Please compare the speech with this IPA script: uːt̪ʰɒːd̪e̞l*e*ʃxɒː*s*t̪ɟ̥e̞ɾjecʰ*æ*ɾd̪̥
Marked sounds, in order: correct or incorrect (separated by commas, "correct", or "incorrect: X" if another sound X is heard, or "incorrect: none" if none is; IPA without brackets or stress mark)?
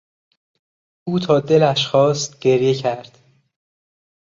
incorrect: æ, correct, correct